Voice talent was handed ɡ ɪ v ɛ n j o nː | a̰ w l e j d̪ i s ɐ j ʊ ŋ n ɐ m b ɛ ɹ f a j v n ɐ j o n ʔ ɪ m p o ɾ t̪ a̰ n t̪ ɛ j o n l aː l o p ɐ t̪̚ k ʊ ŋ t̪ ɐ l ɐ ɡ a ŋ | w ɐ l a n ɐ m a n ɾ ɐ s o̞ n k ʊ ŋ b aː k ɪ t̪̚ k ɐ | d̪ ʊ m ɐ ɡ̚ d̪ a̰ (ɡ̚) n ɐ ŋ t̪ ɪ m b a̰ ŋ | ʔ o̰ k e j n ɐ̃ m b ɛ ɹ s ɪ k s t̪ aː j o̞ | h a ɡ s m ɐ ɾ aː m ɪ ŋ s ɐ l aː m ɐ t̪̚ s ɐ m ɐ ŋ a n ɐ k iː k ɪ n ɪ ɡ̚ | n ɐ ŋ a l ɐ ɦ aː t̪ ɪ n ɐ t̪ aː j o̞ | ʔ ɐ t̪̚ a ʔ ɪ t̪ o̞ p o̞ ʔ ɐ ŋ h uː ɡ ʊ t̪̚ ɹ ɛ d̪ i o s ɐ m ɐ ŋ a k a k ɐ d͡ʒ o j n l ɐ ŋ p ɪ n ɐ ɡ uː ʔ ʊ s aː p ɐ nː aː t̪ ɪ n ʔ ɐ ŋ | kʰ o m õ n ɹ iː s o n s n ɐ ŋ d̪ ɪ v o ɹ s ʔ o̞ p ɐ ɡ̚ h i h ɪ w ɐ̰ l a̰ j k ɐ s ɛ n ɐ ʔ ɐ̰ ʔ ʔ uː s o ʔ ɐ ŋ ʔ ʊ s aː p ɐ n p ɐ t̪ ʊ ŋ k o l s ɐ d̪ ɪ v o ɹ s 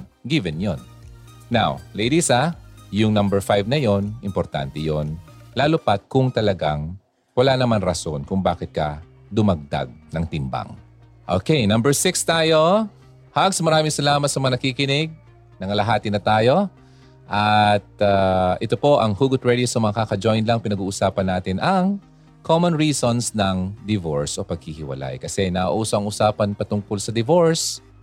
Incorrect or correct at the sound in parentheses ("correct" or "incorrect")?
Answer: correct